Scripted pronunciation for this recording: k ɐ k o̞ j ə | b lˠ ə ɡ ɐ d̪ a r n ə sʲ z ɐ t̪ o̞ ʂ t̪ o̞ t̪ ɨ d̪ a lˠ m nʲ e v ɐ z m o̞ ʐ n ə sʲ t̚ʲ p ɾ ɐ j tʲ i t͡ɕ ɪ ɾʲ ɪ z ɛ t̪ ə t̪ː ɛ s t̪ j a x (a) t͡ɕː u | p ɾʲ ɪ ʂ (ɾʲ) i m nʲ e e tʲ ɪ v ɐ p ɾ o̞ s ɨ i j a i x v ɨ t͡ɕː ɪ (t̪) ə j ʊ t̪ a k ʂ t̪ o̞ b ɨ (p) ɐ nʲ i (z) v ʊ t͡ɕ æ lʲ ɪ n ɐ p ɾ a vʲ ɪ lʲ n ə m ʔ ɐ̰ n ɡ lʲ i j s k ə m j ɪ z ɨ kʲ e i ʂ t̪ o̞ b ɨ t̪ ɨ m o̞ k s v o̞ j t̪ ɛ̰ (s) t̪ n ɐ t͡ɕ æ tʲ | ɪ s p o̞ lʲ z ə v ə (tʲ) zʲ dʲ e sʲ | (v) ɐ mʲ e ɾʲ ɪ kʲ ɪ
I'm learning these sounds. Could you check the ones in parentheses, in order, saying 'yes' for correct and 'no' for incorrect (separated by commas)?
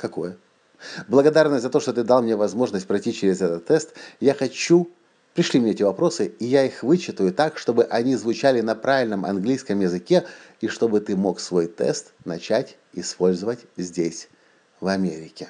no, no, yes, no, yes, yes, yes, yes